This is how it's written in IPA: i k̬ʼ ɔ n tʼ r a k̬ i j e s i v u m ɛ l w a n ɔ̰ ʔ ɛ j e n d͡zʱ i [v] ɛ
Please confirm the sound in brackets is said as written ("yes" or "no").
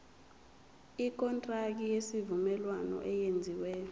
no